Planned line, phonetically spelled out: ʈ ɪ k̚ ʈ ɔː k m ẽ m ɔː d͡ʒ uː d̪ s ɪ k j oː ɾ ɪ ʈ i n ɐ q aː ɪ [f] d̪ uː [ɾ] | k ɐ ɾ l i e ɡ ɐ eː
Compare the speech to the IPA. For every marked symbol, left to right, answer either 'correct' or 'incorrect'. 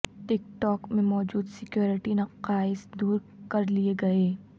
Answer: incorrect, correct

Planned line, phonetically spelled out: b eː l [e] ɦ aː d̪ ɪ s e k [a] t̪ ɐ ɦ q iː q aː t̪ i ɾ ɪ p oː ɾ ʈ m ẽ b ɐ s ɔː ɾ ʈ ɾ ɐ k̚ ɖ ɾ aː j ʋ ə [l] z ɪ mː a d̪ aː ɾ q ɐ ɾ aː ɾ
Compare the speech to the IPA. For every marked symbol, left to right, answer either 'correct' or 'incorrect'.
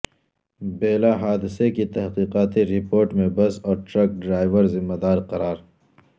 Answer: incorrect, incorrect, incorrect

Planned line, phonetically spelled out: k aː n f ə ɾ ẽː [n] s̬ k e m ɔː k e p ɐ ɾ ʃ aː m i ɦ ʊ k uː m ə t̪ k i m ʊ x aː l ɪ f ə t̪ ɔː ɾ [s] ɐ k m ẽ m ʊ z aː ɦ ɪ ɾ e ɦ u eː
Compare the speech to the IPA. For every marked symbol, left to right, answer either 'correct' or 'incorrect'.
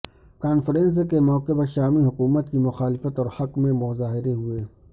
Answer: correct, incorrect

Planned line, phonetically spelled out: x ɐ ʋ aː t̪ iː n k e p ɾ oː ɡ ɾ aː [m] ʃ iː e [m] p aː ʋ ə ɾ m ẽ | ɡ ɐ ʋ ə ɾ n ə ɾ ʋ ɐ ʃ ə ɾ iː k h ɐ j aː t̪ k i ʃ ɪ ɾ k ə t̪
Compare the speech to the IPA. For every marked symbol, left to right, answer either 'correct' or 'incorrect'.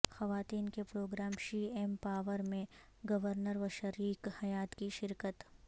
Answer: correct, correct

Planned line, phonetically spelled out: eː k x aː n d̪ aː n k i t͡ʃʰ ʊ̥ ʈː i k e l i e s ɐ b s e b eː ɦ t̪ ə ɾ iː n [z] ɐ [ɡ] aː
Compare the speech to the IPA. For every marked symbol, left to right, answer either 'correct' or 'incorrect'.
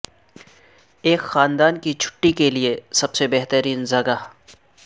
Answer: correct, correct

